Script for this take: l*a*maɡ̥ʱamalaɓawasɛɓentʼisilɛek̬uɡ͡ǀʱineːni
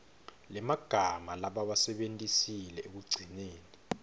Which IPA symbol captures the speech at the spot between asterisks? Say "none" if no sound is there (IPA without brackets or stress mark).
ɛ